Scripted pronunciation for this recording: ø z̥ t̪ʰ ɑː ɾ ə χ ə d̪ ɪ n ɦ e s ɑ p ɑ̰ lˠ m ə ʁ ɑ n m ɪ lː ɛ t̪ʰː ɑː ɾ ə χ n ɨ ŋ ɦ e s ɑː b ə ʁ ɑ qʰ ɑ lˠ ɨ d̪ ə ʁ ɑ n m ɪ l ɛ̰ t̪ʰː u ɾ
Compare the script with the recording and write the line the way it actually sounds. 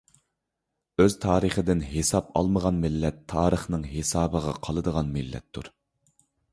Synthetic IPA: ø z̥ t̪ʰ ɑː ɾ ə χ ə d̪ ɪ n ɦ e s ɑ p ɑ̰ lˠ m ə ʁ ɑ n m ɪ lː ɛ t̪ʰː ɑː ɾ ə χ n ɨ ŋ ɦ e s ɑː b ə ʁ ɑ qʰ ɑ lˠ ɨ d̪ ə ʁ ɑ n m ɪ lː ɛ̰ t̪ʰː u ɾ